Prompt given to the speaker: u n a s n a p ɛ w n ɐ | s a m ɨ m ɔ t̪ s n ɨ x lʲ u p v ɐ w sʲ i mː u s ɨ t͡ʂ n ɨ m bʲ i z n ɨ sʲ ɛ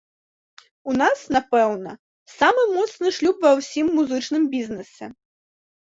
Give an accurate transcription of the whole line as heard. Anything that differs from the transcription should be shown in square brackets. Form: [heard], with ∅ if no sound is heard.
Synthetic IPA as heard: u n a s n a p ɛ w n ɐ | s a m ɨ m ɔ t̪ s n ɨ [ʂ] lʲ u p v ɐ w sʲ i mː u [z] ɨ t͡ʂ n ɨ m bʲ i z n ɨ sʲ ɛ

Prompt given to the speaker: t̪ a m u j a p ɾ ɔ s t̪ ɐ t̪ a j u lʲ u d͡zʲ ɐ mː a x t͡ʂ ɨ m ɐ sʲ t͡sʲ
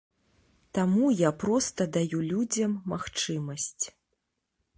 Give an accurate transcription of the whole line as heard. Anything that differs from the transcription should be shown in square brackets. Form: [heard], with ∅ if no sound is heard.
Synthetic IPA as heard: t̪ a m u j a p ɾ ɔ s t̪ ɐ [d̪] a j u lʲ u d͡zʲ ɐ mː a x t͡ʂ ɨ m ɐ sʲ t͡sʲ

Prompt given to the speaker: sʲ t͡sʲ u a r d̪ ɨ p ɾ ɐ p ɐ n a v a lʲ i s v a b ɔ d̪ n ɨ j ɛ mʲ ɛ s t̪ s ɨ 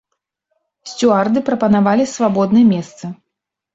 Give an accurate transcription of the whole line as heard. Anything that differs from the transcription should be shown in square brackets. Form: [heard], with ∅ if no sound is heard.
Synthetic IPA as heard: sʲ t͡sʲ u a r d̪ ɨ p ɾ ɐ p ɐ n a v a lʲ i s v a b ɔ d̪ n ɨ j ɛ mʲ ɛ s t̪ s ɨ

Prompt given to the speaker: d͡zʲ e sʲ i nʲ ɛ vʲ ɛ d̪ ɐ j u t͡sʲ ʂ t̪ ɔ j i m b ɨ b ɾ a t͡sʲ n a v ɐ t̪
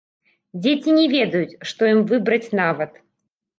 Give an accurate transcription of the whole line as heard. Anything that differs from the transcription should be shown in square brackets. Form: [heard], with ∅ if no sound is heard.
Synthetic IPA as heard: d͡zʲ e [t͡sʲ] i nʲ ɛ vʲ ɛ d̪ ɐ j u t͡sʲ ʂ t̪ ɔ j i m [v] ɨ b ɾ [ɐ] t͡sʲ n a v ɐ t̪

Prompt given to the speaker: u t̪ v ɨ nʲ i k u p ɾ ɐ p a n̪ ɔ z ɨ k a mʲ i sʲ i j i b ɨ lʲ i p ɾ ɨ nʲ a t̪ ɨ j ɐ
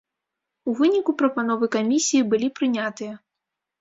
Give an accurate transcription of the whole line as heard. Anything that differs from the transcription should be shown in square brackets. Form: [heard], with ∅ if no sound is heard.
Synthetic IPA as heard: u [∅] v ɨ nʲ i k u p ɾ ɐ p a n̪ ɔ [v] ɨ k a mʲ i sʲ i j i b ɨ lʲ i p ɾ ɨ nʲ a t̪ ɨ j ɐ

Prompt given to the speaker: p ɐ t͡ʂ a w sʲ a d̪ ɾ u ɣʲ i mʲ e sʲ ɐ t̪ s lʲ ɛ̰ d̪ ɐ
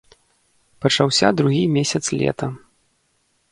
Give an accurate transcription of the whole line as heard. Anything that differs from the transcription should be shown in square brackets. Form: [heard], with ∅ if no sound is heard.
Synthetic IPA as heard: p ɐ t͡ʂ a w sʲ a d̪ ɾ u ɣʲ i mʲ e sʲ ɐ t̪ s lʲ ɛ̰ [t̪] ɐ

